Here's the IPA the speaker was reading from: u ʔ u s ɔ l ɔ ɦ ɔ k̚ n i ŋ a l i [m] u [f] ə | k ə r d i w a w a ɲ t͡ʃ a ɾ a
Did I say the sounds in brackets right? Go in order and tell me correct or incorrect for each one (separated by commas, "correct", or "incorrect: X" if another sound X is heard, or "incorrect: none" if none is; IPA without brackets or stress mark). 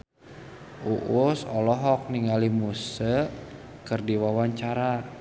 correct, incorrect: s